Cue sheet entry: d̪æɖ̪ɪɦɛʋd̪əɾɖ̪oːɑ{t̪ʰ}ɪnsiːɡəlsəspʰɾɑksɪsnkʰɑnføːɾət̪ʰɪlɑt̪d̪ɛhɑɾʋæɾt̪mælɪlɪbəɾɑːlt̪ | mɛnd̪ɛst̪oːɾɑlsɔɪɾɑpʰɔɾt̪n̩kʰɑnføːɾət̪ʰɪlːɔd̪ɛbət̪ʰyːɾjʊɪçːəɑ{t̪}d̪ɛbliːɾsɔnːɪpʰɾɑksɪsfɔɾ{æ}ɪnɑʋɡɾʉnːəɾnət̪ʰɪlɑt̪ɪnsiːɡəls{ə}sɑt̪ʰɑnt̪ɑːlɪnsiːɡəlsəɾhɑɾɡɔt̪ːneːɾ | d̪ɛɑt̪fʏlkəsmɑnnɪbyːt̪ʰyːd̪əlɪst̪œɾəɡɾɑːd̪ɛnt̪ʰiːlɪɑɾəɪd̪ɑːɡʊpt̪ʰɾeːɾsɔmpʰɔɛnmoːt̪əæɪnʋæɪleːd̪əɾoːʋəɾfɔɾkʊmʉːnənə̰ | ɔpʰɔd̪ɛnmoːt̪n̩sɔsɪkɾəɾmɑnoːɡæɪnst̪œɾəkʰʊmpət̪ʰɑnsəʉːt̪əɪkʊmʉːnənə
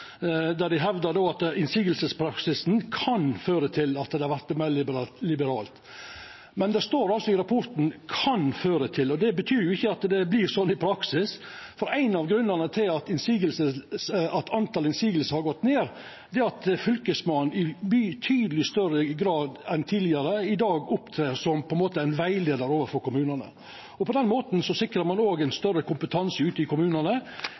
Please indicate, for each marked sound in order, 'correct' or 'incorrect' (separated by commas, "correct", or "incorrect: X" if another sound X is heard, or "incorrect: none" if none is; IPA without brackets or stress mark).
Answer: incorrect: t̪, correct, correct, correct